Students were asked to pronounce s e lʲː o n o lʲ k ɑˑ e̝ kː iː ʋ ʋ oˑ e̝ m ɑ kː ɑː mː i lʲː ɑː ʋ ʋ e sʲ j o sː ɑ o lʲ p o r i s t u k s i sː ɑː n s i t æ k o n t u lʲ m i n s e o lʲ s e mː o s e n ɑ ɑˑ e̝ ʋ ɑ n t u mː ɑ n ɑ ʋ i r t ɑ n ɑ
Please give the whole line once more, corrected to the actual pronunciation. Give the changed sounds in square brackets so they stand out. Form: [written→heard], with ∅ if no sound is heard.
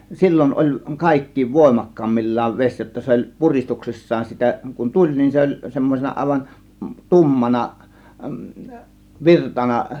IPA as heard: s [e→i] lʲː o n o lʲ k ɑˑ e̝ kː iː ʋ ʋ oˑ e̝ m ɑ kː ɑː mː i lʲː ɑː ʋ ʋ e sʲ j o [sː→tː] ɑ o lʲ p [o→u] r i s t u k s i sː ɑː n s i t æ k [o→u] n t u lʲ [m→n] i n s e o lʲ s e mː o s e n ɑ ɑˑ e̝ ʋ ɑ n t u mː ɑ n ɑ ʋ i r t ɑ n ɑ